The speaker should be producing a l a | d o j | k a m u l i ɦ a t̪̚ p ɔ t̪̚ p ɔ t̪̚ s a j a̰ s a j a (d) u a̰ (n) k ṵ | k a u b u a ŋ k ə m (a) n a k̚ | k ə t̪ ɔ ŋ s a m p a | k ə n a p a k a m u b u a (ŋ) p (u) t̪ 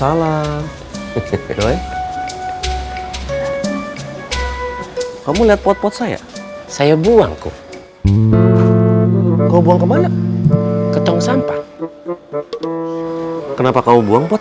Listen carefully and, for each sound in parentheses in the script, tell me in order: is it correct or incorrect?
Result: incorrect, incorrect, correct, correct, incorrect

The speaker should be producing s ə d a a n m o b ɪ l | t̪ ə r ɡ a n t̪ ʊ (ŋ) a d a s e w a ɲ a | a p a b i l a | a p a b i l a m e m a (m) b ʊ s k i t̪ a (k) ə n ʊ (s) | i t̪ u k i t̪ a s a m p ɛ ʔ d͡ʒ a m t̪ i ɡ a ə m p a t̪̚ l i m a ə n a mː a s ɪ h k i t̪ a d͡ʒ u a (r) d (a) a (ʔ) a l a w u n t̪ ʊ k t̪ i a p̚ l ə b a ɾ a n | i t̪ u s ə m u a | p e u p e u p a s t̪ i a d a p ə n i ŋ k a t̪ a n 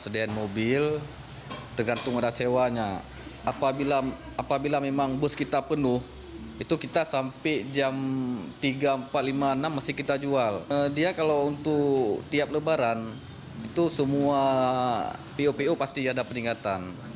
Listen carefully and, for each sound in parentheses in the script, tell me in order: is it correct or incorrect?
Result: correct, incorrect, incorrect, incorrect, incorrect, incorrect, incorrect

